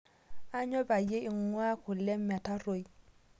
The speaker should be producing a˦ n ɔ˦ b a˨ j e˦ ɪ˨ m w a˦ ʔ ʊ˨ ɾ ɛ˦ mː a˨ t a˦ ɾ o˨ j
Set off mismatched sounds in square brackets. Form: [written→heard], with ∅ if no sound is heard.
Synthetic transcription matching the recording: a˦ [n→ɲ] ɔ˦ b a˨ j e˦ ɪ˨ [m→ŋ] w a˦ [ʔ→k] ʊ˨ [ɾ→l] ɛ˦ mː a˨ t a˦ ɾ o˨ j